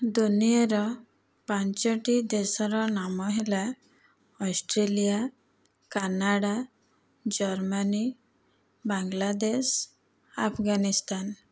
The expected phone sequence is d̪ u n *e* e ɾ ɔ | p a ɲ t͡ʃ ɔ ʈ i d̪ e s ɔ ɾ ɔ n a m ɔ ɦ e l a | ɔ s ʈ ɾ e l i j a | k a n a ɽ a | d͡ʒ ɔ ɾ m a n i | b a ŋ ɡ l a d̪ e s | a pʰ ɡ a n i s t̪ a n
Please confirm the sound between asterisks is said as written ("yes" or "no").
no